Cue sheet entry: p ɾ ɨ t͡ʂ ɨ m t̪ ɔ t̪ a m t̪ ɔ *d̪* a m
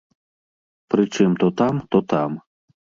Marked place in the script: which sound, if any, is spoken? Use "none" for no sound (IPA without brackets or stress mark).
t̪